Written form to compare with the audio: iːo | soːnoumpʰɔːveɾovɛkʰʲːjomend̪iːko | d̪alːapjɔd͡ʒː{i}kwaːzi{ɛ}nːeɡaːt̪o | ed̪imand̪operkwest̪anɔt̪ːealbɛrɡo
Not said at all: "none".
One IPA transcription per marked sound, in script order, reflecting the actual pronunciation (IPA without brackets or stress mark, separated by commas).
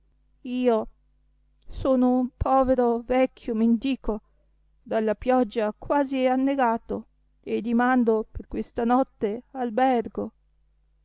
a, a